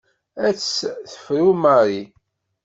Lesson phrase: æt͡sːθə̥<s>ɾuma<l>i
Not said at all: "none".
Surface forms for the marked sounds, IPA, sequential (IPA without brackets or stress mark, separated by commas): f, ɾ